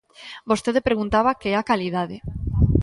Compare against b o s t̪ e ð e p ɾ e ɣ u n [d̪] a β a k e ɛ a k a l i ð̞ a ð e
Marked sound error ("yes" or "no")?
yes